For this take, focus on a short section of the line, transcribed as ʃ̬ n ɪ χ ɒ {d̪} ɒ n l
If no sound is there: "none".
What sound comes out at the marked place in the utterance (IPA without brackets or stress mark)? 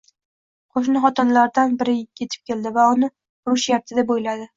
t̪